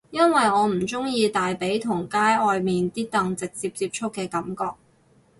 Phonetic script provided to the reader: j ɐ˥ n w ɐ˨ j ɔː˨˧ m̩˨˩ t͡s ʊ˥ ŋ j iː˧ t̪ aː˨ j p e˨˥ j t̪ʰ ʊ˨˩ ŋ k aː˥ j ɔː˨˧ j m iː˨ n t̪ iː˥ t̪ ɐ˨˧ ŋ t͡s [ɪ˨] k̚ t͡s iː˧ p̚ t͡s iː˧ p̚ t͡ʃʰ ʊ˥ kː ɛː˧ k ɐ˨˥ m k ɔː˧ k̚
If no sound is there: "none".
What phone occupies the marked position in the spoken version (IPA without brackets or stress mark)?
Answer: ɪ˨